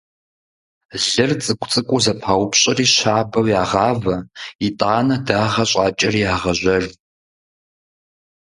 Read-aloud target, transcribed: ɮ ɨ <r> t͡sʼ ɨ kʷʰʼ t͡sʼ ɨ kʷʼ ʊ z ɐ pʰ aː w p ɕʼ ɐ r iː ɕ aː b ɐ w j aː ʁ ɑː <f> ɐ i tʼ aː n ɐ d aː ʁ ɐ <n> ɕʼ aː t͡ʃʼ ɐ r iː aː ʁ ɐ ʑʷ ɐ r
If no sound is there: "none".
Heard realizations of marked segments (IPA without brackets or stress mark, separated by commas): r, v, none